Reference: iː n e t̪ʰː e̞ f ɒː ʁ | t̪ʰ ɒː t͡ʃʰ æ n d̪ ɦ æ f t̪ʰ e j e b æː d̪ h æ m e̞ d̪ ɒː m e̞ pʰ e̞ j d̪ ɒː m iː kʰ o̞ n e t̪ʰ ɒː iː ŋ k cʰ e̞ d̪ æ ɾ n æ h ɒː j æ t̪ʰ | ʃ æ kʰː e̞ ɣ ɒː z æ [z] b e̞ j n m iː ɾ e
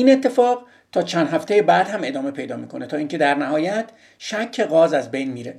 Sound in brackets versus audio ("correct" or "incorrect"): correct